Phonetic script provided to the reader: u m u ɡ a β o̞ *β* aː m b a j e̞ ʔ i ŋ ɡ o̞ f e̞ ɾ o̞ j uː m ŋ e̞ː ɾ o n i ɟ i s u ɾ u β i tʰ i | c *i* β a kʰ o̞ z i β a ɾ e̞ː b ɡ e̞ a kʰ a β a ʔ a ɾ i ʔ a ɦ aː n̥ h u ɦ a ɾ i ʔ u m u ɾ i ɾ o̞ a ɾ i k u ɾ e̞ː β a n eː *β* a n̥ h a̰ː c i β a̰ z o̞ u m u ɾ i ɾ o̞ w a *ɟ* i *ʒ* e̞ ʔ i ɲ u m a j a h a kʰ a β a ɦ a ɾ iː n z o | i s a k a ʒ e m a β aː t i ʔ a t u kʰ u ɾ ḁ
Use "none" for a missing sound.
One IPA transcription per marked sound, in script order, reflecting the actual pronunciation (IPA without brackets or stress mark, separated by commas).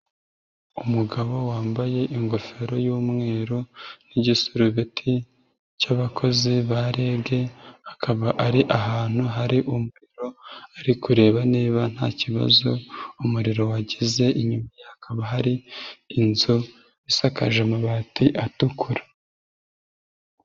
w, a, β, ɟ, z